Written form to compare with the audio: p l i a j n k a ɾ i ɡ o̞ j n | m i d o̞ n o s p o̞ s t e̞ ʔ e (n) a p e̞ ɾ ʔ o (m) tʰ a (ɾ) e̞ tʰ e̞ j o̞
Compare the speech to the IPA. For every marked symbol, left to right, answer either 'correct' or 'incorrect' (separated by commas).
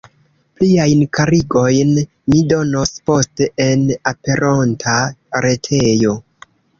correct, incorrect, correct